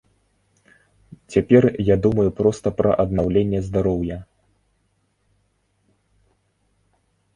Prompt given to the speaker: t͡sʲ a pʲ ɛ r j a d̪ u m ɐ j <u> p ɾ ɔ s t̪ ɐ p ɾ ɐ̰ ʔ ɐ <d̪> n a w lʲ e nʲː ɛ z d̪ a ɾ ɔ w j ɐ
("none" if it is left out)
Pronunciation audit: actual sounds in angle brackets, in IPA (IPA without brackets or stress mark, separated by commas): u, d̪